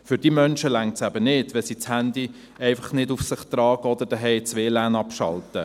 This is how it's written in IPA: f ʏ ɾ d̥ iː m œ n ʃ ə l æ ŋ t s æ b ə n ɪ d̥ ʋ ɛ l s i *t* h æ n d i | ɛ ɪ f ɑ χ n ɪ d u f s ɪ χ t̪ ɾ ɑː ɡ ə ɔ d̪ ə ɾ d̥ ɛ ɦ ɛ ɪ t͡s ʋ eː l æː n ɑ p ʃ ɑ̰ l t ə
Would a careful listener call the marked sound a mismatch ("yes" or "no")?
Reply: yes